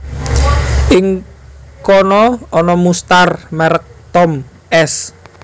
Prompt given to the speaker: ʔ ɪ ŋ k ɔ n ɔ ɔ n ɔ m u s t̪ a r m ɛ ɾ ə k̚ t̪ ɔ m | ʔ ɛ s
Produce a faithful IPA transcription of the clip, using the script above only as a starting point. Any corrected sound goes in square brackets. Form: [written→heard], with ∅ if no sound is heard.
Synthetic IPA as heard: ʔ ɪ ŋ k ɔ n ɔ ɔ n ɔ m u s t̪ a r m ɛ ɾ ə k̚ t̪ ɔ m | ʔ ɛ s